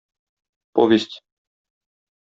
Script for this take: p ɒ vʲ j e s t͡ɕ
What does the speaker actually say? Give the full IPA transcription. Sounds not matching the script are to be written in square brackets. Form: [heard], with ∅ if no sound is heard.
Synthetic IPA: p [ɔ] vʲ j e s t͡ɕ